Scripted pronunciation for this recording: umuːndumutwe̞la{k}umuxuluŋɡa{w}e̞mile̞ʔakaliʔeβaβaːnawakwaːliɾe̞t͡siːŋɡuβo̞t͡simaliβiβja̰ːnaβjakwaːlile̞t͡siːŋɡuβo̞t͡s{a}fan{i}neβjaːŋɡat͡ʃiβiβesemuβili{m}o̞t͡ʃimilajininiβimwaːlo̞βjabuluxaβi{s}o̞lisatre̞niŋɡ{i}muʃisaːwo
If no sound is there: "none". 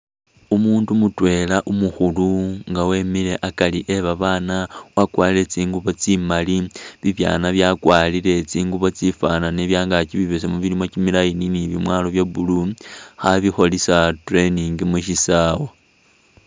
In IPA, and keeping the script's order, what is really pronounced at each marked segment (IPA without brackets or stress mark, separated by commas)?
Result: ʔ, w, i, a, m, x, i